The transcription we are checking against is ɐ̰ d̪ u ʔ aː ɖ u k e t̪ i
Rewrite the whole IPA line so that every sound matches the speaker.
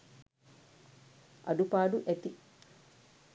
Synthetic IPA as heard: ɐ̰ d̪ u p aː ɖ u ʔ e t̪ i